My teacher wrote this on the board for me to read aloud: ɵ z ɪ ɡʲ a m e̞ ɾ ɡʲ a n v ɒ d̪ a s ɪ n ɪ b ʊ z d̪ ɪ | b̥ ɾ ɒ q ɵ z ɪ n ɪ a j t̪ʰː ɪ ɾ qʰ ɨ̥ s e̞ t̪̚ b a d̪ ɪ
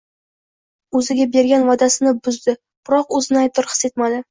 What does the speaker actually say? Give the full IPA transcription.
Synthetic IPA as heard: ɵ z ɪ ɡʲ a b e̞ ɾ ɡʲ a n v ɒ d̪ a s ɪ n ɪ b ʊ z d̪ ɪ | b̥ ɾ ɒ q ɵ z ɪ n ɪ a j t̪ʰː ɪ ɾ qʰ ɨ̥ s e̞ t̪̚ m a d̪ ɪ